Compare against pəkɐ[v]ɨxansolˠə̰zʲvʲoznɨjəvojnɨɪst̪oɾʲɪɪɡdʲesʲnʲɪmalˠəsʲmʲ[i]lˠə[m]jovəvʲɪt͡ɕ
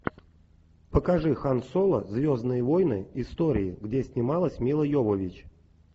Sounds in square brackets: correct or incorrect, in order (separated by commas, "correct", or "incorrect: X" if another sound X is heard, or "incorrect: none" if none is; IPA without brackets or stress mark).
incorrect: ʐ, correct, incorrect: none